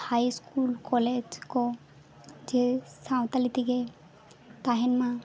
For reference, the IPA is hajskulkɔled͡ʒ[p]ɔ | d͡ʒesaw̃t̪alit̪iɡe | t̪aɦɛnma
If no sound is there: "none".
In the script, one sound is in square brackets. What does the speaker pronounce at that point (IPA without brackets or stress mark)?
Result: k